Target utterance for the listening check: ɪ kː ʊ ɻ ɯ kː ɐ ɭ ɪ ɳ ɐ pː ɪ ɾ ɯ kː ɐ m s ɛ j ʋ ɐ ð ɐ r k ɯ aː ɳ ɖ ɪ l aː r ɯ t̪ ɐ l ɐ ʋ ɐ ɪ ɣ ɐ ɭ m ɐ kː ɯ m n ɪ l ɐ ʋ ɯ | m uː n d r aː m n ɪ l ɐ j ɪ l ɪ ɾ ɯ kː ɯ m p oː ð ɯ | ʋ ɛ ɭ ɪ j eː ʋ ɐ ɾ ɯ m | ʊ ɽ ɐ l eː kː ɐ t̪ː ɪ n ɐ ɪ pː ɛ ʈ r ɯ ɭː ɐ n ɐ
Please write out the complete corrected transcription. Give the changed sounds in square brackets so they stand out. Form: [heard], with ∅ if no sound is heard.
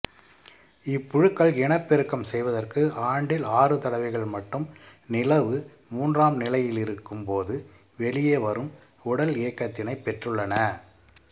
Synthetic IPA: ɪ [pː] ʊ ɻ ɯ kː ɐ ɭ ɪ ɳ ɐ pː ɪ ɾ ɯ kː ɐ m s ɛ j ʋ ɐ ð ɐ r k ɯ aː ɳ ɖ ɪ l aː r ɯ t̪ ɐ [ɽ] ɐ ʋ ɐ ɪ ɣ ɐ ɭ m ɐ [ʈː] ɯ m n ɪ l ɐ ʋ ɯ | m uː n d r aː m n ɪ l ɐ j ɪ l ɪ ɾ ɯ kː ɯ m p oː ð ɯ | ʋ ɛ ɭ ɪ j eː ʋ ɐ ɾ ɯ m | ʊ ɽ ɐ l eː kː ɐ t̪ː ɪ n ɐ ɪ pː ɛ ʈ r ɯ ɭː ɐ n ɐ